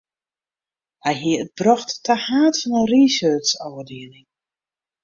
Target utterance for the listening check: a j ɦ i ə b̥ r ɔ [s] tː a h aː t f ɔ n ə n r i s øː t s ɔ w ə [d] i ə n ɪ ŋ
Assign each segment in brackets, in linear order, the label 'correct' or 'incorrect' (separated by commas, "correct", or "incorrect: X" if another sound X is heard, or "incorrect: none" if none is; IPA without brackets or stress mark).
incorrect: x, correct